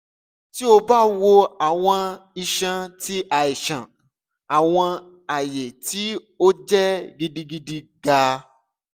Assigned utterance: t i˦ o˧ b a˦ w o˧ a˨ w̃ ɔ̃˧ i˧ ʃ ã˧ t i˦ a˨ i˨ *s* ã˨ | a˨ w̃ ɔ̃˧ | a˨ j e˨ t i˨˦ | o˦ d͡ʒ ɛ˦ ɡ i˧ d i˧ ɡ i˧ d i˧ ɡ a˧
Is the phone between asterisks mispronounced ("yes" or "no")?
yes